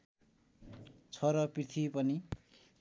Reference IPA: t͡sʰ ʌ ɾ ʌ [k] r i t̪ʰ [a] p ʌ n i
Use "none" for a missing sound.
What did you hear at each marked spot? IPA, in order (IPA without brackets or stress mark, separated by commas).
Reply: p, i